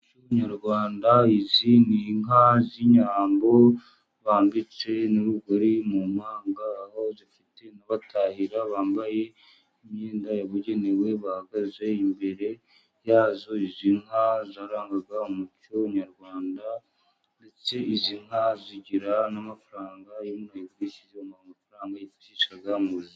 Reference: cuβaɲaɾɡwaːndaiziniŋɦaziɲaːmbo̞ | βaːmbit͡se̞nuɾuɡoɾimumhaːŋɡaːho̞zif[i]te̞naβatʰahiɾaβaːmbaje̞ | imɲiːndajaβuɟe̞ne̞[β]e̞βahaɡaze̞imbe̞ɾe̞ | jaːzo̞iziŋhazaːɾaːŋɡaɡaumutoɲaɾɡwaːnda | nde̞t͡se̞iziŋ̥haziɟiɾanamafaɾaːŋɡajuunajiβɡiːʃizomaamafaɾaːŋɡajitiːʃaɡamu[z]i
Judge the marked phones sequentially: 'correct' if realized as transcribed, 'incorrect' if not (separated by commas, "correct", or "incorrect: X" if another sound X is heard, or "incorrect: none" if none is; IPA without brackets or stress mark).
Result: correct, incorrect: w, correct